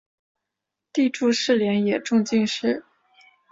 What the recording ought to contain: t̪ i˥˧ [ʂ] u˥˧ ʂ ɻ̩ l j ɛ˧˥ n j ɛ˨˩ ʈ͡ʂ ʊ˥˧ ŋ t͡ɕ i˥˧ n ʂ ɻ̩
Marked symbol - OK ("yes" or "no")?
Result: no